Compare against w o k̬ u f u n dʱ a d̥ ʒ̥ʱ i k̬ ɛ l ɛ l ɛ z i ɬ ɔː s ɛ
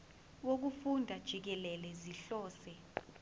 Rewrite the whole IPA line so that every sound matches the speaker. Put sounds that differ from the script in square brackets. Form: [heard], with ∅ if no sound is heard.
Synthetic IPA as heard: w o k̬ u f u n dʱ a d̥ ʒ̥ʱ i k̬ ɛ l ɛ l ɛ z i ɬ ɔː s ɛ

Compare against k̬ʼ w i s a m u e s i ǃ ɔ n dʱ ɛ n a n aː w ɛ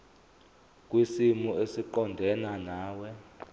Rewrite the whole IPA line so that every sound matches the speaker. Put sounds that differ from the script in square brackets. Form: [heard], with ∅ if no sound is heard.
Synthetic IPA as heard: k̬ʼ w i s [i] m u e s i ǃ ɔ n dʱ ɛ n a n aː w ɛ

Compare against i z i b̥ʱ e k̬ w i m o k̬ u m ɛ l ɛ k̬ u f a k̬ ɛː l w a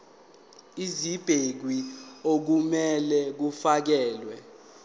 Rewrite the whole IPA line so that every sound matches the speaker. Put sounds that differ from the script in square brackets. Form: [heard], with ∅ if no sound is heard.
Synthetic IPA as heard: i z i b̥ʱ e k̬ w i [∅] o k̬ u m ɛ l ɛ k̬ u f a k̬ ɛː l w [ɛ]

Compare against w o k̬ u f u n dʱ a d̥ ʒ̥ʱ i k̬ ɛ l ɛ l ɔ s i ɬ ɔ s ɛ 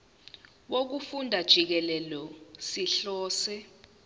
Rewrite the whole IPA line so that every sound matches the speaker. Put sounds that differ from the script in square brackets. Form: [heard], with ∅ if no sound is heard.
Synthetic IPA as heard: w o k̬ u f u n dʱ a d̥ ʒ̥ʱ i k̬ ɛ l ɛ l ɔ s i ɬ [ɔː] s ɛ

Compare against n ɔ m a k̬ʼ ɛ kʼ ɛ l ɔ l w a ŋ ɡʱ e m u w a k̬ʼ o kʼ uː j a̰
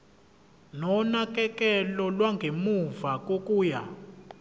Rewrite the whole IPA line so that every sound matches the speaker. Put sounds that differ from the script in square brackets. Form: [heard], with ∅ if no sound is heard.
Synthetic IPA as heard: n ɔ [n] a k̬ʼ ɛ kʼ ɛ l ɔ l w a ŋ ɡʱ e m u [v] a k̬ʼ o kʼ uː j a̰

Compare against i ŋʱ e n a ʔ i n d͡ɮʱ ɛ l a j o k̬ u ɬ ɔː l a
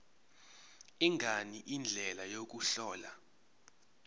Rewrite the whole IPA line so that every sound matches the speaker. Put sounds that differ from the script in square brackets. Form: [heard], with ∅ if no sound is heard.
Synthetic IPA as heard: i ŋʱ [a] n [i] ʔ i n d͡ɮʱ ɛ l a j o k̬ u ɬ ɔː l a

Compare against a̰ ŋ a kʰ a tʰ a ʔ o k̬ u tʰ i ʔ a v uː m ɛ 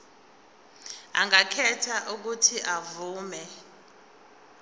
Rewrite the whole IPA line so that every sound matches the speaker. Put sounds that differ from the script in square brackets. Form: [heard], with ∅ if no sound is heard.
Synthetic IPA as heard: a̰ ŋ a kʰ [ɛ] tʰ a ʔ [u] k̬ u tʰ i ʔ a v uː m ɛ

